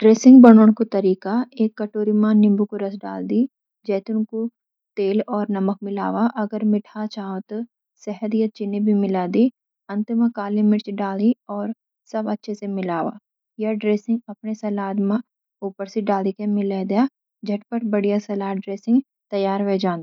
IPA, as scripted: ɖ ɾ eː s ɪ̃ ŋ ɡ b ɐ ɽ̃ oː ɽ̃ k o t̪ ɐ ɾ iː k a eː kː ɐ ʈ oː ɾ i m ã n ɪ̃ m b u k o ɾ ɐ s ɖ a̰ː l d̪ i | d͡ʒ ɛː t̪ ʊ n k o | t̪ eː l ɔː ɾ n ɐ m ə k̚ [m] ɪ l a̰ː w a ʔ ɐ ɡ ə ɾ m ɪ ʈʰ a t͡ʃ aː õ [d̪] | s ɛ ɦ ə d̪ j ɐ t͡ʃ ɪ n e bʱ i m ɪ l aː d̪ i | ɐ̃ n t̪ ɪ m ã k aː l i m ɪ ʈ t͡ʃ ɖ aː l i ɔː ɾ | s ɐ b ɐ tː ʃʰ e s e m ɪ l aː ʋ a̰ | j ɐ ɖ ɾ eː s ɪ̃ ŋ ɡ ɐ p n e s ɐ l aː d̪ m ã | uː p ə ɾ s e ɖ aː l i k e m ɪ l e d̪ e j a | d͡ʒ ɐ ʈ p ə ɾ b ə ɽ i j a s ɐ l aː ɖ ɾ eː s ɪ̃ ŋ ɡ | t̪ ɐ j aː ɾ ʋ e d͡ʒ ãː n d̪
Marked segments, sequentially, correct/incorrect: correct, incorrect: t̪

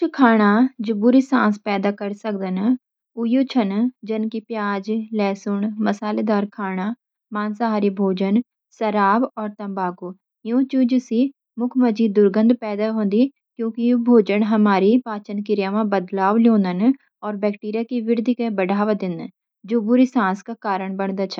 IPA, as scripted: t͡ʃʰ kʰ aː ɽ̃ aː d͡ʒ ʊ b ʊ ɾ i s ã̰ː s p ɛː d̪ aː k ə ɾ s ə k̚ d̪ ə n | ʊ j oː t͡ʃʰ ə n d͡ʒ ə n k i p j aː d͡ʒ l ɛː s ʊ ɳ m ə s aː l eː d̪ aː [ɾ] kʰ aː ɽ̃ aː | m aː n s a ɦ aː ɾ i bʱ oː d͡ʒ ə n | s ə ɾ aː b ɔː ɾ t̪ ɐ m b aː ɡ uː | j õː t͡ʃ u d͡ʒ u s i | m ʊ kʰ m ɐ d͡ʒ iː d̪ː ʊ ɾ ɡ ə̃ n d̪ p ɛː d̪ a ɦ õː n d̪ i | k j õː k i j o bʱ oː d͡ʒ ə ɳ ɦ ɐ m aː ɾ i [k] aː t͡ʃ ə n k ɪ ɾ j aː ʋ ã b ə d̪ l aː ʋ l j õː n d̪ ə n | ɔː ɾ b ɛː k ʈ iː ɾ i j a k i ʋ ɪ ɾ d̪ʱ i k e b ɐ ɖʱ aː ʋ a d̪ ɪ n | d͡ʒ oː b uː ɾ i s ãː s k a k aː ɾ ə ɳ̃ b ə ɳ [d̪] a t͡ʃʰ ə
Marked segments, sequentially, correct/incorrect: correct, incorrect: p, correct

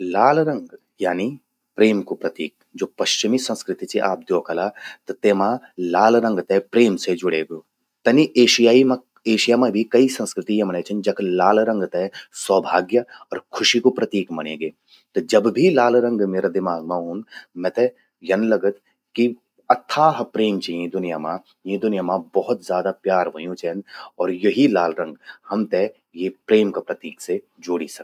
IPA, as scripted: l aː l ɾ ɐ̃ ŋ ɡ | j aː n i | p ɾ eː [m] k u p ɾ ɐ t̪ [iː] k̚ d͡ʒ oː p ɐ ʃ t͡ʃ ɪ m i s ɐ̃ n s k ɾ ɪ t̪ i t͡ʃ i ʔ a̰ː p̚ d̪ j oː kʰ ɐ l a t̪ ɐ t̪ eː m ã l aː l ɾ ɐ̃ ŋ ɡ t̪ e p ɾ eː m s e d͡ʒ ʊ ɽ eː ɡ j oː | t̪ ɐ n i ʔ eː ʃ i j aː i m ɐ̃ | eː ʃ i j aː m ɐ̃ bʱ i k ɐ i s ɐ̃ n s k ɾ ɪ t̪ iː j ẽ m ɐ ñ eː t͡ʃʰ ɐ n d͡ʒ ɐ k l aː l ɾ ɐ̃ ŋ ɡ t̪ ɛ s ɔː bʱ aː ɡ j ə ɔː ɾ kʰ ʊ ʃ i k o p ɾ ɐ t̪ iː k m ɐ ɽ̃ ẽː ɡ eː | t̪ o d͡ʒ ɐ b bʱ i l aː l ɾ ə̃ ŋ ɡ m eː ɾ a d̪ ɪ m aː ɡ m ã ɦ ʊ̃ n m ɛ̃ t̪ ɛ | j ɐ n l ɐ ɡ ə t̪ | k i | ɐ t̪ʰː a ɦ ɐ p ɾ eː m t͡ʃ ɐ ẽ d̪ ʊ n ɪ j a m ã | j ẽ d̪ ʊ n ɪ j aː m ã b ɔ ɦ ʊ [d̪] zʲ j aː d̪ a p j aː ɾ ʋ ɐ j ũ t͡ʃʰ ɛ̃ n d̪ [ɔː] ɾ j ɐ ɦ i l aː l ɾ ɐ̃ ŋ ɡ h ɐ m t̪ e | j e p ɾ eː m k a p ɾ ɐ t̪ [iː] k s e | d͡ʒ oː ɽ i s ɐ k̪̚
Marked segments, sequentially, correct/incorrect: correct, correct, incorrect: t̪, correct, correct

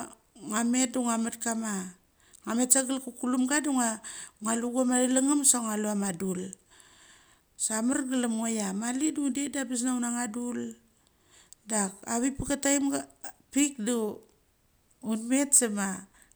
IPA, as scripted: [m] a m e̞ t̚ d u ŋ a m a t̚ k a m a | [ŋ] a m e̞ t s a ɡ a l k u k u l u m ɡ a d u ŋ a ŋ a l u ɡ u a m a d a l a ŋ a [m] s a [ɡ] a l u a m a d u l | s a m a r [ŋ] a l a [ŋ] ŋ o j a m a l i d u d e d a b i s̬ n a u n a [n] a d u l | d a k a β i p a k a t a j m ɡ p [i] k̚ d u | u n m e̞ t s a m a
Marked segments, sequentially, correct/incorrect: incorrect: ŋ, correct, correct, incorrect: ŋ, incorrect: ɡ, incorrect: m, incorrect: ŋ, correct

